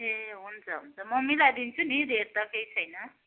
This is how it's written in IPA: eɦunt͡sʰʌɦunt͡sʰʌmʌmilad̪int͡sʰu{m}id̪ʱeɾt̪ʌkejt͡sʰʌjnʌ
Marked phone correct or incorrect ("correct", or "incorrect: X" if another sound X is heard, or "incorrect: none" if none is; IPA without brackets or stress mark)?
incorrect: n